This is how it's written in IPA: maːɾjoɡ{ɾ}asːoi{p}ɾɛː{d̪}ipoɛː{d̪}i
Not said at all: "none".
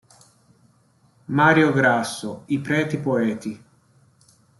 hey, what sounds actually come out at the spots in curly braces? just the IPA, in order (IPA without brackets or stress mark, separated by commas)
ɾ, p, t̪, t̪